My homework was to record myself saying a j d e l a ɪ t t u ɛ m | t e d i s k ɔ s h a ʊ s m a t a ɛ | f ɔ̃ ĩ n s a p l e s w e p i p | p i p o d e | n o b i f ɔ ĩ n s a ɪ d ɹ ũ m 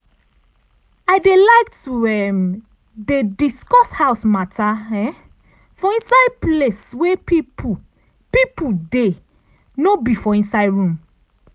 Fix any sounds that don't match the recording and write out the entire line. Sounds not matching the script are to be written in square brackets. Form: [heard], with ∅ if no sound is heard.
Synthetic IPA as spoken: a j d e l a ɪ [k] t u ɛ m | [d] e d i s k ɔ s h a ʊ s m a t a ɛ | f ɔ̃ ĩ n s a p l e s w e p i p | p i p [u] d e | n o b i f ɔ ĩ n s a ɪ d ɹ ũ m